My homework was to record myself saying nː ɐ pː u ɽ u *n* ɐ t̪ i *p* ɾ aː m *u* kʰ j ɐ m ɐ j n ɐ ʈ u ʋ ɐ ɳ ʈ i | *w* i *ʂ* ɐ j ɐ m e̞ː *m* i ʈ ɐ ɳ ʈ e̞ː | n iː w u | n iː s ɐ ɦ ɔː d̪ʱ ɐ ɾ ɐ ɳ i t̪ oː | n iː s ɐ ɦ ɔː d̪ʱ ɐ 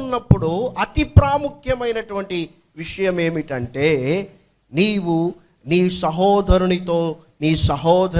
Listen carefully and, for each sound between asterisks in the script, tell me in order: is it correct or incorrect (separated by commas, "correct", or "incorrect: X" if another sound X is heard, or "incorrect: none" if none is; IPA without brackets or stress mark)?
incorrect: none, correct, correct, incorrect: ʋ, correct, correct